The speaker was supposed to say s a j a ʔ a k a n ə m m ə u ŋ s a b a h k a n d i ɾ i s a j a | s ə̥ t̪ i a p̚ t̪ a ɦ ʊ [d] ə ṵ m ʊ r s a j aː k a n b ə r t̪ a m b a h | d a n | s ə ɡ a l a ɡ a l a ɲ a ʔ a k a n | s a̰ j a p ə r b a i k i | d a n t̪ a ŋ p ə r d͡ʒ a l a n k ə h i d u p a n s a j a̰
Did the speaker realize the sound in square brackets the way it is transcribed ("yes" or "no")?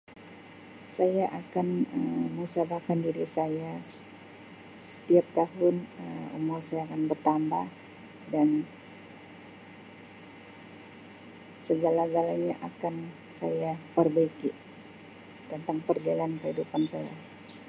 no